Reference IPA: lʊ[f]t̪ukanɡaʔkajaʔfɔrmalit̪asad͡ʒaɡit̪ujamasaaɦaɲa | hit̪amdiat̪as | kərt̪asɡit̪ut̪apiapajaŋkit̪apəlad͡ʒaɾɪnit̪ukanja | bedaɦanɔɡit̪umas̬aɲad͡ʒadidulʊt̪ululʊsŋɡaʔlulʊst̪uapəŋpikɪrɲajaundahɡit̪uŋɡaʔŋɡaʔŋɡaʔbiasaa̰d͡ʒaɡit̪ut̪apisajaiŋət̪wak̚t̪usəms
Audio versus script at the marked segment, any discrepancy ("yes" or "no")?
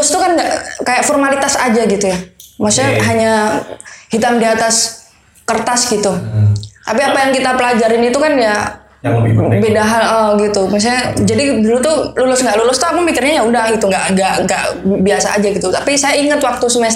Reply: yes